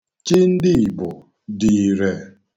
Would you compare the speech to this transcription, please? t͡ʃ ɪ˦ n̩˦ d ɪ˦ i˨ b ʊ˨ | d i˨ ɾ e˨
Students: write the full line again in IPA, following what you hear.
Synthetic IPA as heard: t͡ʃ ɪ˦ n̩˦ d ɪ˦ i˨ b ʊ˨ | d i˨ ɾ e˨